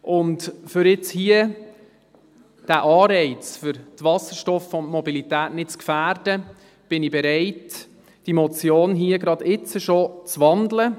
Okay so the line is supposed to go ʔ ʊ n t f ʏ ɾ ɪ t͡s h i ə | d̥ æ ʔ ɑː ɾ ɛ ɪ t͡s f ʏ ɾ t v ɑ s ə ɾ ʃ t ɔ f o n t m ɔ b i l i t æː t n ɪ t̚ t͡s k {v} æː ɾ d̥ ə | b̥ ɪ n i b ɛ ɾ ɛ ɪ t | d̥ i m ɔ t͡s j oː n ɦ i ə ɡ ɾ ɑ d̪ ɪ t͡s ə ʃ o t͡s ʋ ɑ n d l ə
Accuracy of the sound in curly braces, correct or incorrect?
incorrect